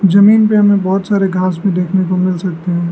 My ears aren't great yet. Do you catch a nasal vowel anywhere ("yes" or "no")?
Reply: yes